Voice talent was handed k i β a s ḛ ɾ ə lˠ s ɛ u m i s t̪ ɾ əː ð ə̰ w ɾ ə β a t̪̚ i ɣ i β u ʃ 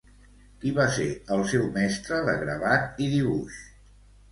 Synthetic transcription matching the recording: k i β a s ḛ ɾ ə lˠ s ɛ w m ɛ s t̪ ɾ ə ð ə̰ ɣ ɾ ə β a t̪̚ i ð i β u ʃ